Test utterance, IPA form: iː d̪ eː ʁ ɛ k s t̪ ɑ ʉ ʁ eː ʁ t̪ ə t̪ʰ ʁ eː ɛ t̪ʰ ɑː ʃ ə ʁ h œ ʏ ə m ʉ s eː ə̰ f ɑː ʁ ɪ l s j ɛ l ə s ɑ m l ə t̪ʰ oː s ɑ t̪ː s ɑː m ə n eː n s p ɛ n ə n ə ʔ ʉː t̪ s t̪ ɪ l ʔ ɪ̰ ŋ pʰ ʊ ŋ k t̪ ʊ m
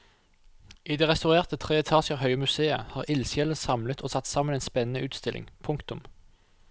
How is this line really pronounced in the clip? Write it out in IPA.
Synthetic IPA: iː d̪ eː ʁ ɛ s t̪ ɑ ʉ ʁ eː ʁ t̪ ə t̪ʰ ʁ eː ɛ t̪ʰ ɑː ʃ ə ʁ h œ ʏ ə m ʉ s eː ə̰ h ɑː ʁ ɪ l s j ɛ l ə s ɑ m l ə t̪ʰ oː s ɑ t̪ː s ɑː m ə n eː n s p ɛ n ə n ə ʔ ʉː t̪ s t̪ ɪ l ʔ ɪ̰ ŋ pʰ ʊ ŋ k t̪ ʊ m